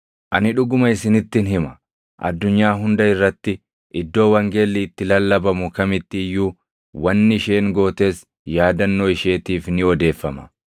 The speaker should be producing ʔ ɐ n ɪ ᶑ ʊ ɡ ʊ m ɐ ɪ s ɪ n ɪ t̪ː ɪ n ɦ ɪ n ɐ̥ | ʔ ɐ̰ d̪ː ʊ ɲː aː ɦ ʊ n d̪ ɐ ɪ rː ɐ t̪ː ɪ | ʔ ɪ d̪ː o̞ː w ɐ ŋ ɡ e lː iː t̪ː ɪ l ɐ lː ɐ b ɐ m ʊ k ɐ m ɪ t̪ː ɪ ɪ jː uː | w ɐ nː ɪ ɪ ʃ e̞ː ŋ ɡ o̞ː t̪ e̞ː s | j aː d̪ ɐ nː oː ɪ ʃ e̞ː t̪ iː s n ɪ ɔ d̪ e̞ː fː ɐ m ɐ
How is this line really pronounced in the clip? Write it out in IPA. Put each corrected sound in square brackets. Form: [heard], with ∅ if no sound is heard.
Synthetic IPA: ʔ ɐ n ɪ ᶑ ʊ ɡ ʊ m ɐ ɪ s ɪ n ɪ t̪ː ɪ n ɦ ɪ [m] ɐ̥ | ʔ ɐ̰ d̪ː ʊ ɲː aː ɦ ʊ n d̪ ɐ ɪ rː ɐ t̪ː ɪ | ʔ ɪ d̪ː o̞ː w ɐ ŋ ɡ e lː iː t̪ː ɪ l ɐ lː ɐ b ɐ m ʊ k ɐ m ɪ t̪ː ɪ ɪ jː uː | w ɐ nː ɪ ɪ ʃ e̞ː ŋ ɡ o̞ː t̪ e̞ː s | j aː d̪ ɐ nː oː ɪ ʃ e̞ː t̪ iː [f] n ɪ ɔ d̪ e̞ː fː ɐ m ɐ